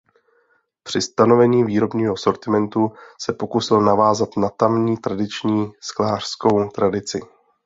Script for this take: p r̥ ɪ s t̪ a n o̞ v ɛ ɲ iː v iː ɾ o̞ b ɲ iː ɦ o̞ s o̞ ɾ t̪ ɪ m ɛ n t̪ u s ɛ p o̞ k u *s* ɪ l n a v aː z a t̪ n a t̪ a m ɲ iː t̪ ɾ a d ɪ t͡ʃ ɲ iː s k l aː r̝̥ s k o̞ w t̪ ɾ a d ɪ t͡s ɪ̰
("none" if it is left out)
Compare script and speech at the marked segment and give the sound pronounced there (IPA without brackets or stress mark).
s